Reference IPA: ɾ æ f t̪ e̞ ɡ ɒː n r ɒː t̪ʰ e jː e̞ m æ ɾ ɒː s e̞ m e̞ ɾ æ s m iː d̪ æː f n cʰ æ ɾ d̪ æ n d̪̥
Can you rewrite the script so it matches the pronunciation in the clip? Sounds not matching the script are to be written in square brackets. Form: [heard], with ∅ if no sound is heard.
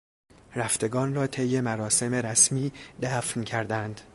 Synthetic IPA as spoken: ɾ æ f t̪ e̞ ɡ ɒː n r ɒː t̪ʰ e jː e̞ m æ ɾ ɒː s e̞ m e̞ ɾ æ s m iː d̪ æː f n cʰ æ ɾ d̪ æ n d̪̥